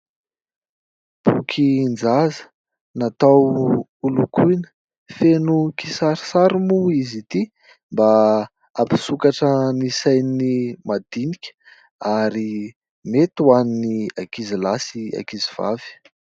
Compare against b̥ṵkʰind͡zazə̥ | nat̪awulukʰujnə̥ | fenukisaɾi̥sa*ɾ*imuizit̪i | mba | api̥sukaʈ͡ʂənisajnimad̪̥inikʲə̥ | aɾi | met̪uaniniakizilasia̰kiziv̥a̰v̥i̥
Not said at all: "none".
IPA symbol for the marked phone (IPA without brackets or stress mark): ɾ